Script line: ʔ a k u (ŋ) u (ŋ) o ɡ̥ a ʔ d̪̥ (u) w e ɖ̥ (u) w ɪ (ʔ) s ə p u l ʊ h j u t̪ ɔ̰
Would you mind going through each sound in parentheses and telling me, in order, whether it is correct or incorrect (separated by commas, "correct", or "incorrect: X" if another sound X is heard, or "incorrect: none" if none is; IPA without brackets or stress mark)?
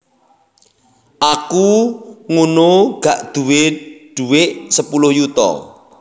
correct, incorrect: n, correct, correct, correct